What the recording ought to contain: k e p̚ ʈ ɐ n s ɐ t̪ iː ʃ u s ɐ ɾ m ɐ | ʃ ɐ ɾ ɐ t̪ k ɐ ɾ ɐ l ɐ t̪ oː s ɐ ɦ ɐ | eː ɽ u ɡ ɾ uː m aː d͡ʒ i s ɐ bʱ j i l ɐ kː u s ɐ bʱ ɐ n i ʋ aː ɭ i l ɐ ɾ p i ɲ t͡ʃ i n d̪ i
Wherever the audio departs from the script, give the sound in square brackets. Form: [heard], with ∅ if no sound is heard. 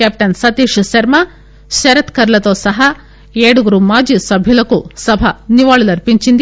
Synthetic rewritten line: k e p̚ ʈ ɐ n s ɐ t̪ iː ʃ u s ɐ ɾ m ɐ | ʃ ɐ ɾ ɐ t̪ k ɐ ɾ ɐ l ɐ t̪ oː s ɐ ɦ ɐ | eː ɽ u ɡ ɾ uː m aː d͡ʒ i s ɐ bʱ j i l ɐ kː u s ɐ bʱ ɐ n i ʋ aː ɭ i l ɐ ɾ p i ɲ t͡ʃ i n d̪ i

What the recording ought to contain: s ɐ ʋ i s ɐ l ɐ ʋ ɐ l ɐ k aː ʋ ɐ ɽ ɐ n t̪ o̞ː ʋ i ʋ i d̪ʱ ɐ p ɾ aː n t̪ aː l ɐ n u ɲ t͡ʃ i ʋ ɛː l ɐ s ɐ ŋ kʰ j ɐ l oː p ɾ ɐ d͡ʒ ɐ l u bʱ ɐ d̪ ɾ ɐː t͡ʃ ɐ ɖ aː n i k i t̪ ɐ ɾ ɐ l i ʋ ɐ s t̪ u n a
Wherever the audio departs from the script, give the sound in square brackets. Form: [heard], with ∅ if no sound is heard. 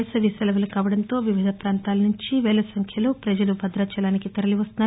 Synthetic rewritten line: s ɐ ʋ i s ɐ l ɐ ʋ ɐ l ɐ k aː ʋ ɐ ɽ ɐ n t̪ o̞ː ʋ i ʋ i d̪ʱ ɐ p ɾ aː n t̪ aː l ɐ n u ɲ t͡ʃ i ʋ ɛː l ɐ s ɐ ŋ kʰ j ɐ l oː p ɾ ɐ d͡ʒ ɐ l u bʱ ɐ d̪ ɾ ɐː t͡ʃ ɐ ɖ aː n i k i t̪ ɐ ɾ ɐ l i ʋ ɐ s t̪ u n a

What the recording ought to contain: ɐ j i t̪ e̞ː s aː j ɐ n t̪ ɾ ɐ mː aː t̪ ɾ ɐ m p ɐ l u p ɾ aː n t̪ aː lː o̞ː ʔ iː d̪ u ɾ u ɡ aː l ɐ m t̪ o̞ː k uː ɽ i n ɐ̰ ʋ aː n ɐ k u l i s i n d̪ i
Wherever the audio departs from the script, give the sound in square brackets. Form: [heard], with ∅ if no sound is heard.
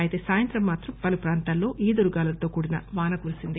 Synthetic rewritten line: ɐ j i t̪ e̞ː s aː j ɐ n t̪ ɾ ɐ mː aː t̪ ɾ ɐ m p ɐ l u p ɾ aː n t̪ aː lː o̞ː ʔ iː d̪ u ɾ u ɡ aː l ɐ [∅] t̪ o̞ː k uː ɽ i n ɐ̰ ʋ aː n ɐ k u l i s i n d̪ i

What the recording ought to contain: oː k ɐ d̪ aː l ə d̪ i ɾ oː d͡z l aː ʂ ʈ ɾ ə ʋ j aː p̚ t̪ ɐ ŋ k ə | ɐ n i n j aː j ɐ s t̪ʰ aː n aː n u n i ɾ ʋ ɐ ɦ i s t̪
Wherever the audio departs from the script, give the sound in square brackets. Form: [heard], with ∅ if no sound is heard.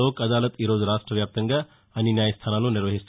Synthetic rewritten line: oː k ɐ d̪ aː l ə [t̪] i ɾ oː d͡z [ɾ] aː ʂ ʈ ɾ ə ʋ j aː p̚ t̪ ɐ ŋ [ɡ] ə | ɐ n i n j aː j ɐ s t̪ʰ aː n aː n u n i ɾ ʋ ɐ ɦ i s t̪

